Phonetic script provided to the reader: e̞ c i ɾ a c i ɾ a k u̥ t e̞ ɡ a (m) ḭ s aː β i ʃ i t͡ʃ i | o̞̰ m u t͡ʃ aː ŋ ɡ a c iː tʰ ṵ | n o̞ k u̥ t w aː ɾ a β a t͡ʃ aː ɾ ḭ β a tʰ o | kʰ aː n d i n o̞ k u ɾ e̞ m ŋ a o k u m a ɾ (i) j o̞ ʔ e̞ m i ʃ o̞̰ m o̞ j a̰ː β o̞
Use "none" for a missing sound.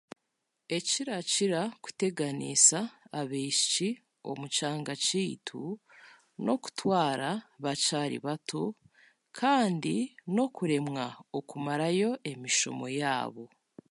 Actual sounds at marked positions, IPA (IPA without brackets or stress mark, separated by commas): n, a